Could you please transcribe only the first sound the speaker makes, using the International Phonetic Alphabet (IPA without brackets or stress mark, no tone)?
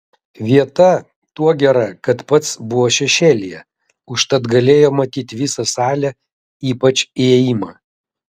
ʋʲ